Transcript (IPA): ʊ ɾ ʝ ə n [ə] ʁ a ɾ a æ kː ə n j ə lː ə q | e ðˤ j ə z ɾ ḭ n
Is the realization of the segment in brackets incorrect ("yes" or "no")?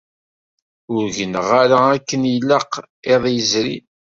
no